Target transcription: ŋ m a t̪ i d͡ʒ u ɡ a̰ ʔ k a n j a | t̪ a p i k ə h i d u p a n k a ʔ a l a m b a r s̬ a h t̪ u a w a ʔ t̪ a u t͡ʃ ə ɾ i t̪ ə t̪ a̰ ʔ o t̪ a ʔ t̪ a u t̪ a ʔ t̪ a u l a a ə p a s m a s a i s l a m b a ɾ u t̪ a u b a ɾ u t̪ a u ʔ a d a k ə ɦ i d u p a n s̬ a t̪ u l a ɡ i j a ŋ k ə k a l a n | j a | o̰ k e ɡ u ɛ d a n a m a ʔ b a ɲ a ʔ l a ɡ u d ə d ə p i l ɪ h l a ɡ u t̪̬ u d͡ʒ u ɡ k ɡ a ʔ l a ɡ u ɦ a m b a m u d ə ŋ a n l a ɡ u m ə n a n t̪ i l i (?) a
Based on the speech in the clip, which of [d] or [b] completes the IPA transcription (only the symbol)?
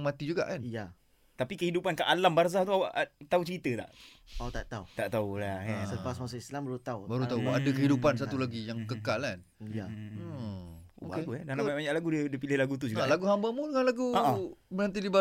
b